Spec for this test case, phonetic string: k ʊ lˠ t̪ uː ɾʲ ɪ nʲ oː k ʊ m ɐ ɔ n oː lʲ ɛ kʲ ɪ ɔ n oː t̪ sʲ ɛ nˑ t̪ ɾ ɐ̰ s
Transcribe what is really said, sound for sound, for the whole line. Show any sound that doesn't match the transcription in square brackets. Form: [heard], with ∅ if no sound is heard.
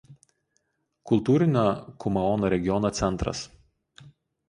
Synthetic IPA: k ʊ lˠ t̪ uː ɾʲ ɪ nʲ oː k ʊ m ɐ ɔ n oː [ɾʲ] ɛ [ɡʲ] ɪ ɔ n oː t̪ sʲ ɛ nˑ t̪ ɾ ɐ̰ s